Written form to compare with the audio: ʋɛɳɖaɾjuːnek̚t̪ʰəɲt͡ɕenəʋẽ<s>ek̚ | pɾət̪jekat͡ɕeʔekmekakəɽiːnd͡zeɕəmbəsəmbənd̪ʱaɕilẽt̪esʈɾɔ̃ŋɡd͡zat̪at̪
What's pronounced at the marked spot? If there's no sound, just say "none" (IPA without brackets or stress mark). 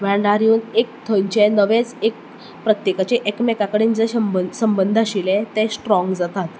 t͡s